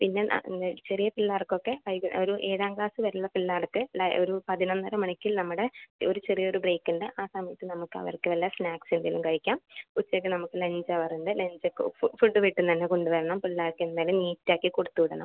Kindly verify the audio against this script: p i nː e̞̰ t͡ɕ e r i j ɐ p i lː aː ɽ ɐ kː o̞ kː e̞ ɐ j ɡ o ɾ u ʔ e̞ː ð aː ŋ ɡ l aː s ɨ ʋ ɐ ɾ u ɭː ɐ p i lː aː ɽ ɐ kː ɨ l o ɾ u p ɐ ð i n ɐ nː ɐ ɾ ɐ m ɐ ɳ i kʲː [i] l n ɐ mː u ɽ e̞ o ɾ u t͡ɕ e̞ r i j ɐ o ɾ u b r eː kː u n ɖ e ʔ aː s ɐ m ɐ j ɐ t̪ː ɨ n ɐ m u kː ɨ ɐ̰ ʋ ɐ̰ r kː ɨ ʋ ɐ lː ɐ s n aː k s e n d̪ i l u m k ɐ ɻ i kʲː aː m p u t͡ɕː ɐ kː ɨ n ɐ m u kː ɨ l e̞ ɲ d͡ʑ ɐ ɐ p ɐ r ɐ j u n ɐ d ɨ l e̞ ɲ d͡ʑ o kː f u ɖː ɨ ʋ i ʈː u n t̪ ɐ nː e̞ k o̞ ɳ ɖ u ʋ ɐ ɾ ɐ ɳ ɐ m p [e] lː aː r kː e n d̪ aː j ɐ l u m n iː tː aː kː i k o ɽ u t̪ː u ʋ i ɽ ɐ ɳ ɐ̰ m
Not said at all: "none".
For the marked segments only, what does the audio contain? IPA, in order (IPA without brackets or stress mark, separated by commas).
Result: i, i